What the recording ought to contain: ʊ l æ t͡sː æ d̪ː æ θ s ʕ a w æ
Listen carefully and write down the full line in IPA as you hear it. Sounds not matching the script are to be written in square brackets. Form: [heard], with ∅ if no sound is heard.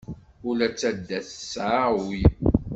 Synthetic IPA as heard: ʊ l æ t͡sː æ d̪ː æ θ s ʕ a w [i]